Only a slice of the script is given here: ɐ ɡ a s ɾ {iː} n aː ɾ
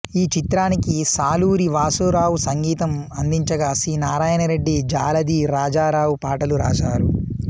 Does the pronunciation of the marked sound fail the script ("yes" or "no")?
no